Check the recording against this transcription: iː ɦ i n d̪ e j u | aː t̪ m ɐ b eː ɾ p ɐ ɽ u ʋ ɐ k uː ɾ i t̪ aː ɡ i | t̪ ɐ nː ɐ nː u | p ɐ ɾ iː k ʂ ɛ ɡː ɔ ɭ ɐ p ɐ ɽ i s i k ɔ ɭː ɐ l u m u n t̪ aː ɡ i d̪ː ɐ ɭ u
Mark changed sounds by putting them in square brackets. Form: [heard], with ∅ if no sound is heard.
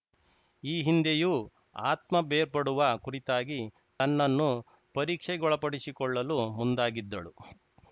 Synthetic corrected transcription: iː ɦ i n d̪ e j u | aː t̪ m ɐ b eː ɾ p ɐ ɽ u ʋ ɐ k [u] ɾ i t̪ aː ɡ i | t̪ ɐ nː ɐ nː u | p ɐ ɾ iː k ʂ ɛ [ɡ] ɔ ɭ ɐ p ɐ ɽ i s i k ɔ ɭː ɐ l u m u n [d̪] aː ɡ i d̪ː ɐ ɭ u